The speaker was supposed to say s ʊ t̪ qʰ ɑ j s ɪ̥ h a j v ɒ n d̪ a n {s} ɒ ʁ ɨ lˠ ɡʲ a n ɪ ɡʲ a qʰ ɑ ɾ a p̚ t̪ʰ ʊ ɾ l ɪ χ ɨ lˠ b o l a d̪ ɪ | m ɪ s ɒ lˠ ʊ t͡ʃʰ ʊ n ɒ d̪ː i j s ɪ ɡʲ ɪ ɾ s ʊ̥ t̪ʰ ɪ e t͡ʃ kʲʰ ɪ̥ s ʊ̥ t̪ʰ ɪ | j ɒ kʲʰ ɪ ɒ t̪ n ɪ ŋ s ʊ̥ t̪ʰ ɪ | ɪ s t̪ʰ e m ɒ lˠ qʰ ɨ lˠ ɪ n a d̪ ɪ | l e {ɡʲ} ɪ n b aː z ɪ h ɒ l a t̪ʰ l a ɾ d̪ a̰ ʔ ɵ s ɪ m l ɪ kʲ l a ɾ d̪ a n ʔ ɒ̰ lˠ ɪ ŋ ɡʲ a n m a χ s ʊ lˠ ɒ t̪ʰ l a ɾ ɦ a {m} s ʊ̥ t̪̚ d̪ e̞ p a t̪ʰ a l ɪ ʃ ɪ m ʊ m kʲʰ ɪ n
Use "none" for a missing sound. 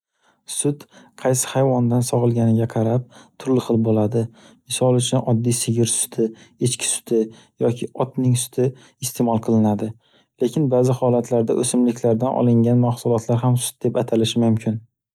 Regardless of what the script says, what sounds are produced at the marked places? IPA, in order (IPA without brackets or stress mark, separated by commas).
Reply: s, kʲ, m